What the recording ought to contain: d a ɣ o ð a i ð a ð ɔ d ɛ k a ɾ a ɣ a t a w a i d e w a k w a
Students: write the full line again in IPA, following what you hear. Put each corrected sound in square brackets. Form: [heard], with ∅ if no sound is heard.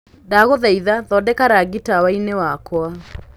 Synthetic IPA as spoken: d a ɣ o ð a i ð a ð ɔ d ɛ k a ɾ a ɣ [i] t a w a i [n] e w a k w a